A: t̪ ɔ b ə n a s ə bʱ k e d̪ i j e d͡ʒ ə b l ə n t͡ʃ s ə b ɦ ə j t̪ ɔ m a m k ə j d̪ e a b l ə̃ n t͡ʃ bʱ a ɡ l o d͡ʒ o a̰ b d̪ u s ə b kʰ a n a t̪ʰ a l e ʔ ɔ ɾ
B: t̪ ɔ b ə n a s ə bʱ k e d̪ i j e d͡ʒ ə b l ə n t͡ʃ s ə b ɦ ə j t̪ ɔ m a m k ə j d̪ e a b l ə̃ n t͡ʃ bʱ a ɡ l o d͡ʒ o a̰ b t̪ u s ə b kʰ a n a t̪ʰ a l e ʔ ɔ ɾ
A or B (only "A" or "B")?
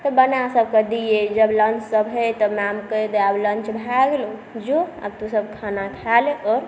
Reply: B